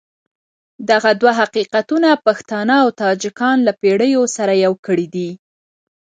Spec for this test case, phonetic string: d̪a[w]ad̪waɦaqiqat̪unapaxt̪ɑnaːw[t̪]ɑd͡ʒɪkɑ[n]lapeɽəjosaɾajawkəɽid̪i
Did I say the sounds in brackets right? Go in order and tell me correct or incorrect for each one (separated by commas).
incorrect, correct, correct